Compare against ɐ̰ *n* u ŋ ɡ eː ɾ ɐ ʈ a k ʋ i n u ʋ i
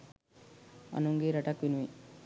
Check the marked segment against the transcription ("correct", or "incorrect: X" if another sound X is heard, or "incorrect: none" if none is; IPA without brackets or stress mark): correct